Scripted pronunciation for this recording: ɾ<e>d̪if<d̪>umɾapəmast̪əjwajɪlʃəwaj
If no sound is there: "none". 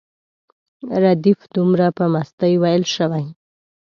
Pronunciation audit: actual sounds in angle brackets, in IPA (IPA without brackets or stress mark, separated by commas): a, d̪